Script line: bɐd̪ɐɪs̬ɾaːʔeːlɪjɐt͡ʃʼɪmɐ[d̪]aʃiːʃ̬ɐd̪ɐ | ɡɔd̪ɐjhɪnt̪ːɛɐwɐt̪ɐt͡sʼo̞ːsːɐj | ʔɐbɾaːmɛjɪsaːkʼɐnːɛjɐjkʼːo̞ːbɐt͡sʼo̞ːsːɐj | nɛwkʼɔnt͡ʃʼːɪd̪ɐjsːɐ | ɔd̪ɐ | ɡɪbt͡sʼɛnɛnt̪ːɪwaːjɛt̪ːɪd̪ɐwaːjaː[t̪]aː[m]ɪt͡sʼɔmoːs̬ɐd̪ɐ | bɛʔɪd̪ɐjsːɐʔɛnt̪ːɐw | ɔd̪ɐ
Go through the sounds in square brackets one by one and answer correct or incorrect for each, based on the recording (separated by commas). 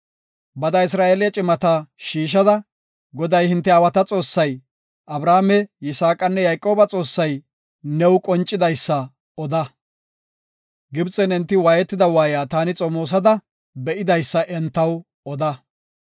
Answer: incorrect, correct, incorrect